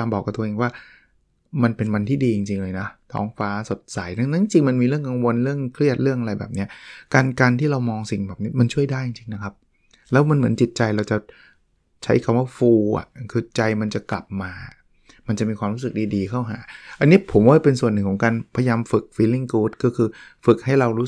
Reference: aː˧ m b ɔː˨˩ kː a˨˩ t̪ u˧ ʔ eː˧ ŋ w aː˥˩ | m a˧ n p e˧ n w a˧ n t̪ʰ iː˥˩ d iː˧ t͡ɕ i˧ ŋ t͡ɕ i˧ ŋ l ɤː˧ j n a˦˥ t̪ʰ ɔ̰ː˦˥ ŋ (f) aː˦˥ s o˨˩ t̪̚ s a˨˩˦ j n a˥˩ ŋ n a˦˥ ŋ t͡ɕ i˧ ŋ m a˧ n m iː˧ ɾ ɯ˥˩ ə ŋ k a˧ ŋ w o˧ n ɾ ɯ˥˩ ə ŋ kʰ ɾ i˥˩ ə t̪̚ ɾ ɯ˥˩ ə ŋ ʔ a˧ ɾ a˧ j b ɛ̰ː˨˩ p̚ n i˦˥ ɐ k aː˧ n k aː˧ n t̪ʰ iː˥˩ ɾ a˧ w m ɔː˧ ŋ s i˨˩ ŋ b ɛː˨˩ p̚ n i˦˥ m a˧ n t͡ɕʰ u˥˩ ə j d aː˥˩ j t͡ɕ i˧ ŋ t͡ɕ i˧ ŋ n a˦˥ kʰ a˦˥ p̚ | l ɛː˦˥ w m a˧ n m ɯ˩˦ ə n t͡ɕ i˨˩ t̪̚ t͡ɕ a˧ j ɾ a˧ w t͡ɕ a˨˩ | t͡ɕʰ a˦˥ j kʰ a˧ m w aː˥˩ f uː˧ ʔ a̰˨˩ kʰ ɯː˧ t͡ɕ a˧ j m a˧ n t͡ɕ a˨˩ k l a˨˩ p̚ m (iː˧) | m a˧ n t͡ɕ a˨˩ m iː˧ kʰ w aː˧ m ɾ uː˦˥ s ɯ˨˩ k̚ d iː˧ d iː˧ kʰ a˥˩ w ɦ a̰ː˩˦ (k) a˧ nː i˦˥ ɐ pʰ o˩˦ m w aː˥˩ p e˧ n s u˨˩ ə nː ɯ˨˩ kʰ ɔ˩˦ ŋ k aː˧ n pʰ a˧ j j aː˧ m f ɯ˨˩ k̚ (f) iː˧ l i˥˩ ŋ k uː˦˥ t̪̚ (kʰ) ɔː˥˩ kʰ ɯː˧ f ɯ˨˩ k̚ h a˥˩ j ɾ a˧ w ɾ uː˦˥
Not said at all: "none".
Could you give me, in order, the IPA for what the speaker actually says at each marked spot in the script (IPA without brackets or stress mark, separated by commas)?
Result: f, aː˧, ʔ, f, k